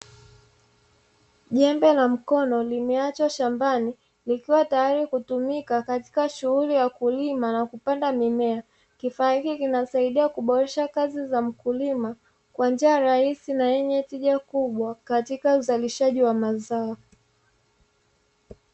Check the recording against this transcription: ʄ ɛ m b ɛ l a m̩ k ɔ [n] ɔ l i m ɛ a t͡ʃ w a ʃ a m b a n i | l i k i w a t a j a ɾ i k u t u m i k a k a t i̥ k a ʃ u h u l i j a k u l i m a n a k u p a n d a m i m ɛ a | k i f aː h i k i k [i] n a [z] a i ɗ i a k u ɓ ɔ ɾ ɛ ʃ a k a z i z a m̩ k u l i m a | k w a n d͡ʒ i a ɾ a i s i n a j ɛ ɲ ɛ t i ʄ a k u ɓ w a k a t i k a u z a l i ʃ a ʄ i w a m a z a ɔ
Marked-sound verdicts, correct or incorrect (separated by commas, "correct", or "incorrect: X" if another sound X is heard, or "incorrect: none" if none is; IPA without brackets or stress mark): correct, correct, incorrect: s